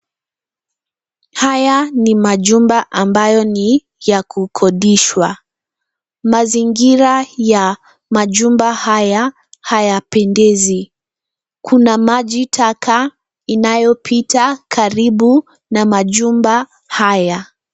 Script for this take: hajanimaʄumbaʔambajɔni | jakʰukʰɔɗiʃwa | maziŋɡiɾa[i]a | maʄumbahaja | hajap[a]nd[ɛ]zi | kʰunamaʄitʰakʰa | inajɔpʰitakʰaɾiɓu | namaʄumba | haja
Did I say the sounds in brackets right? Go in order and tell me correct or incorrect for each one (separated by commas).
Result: incorrect, incorrect, correct